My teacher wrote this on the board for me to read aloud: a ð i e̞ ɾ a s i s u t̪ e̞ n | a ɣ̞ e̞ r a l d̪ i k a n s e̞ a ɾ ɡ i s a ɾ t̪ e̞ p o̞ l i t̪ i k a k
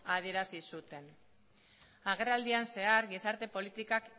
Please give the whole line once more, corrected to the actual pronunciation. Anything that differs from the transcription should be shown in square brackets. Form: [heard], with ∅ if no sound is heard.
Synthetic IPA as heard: a ð i e̞ ɾ a s i s u t̪ e̞ n | a ɣ̞ e̞ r a l d̪ i [∅] a n s e̞ a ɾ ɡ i s a ɾ t̪ e̞ p o̞ l i t̪ i k a k